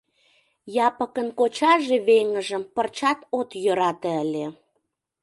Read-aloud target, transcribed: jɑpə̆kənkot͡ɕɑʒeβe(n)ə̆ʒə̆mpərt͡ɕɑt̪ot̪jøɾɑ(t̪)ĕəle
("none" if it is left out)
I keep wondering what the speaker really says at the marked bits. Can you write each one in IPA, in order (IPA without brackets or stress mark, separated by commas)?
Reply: ŋ, t̪